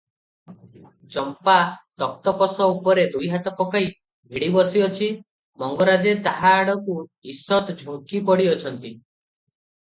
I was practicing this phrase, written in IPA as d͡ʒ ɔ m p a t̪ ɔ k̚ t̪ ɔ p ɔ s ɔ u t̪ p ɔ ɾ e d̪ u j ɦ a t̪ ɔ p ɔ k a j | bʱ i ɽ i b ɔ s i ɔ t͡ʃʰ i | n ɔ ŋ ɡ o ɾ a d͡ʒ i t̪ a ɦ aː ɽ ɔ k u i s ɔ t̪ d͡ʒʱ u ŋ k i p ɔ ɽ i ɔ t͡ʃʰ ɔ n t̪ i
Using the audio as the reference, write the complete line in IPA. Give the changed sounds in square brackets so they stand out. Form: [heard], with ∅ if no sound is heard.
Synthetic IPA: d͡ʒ ɔ m p a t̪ ɔ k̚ t̪ ɔ p ɔ s ɔ u [∅] p ɔ ɾ e d̪ u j ɦ a t̪ ɔ p ɔ k a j | bʱ i ɽ i b ɔ s i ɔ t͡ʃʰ i | [m] ɔ ŋ ɡ [ɔ] ɾ a d͡ʒ [e] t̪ a ɦ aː ɽ ɔ k u i s ɔ t̪ d͡ʒʱ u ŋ k i p ɔ ɽ i ɔ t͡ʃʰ ɔ n t̪ i